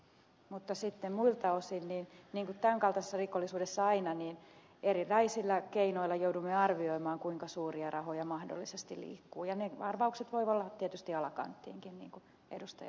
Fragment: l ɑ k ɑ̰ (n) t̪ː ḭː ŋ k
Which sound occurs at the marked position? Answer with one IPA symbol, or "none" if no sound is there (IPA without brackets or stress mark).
n